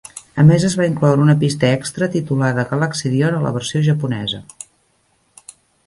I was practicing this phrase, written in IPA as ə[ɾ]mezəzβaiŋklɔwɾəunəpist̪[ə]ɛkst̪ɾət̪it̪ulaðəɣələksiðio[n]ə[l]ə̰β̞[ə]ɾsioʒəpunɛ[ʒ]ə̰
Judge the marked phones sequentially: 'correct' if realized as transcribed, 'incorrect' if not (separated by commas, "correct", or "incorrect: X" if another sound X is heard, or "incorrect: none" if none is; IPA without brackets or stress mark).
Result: incorrect: none, correct, correct, correct, correct, incorrect: z